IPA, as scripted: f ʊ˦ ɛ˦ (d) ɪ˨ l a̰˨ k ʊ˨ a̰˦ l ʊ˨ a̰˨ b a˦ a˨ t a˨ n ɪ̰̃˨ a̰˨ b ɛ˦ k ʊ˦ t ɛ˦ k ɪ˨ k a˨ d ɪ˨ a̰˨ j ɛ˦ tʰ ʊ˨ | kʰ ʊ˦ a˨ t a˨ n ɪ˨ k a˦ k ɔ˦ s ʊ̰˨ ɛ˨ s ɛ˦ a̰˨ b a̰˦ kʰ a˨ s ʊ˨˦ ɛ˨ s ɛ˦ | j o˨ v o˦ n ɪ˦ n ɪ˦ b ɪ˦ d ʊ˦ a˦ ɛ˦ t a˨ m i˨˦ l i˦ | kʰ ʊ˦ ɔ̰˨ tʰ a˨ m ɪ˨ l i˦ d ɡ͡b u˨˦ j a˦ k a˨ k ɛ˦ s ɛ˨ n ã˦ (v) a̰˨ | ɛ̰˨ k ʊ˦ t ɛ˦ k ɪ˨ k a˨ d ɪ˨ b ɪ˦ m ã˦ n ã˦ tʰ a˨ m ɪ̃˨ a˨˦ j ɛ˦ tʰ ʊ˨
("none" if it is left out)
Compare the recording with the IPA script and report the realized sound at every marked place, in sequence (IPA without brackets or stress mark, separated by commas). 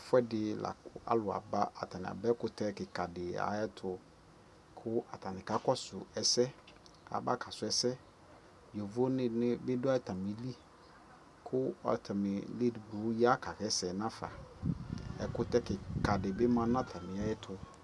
d, f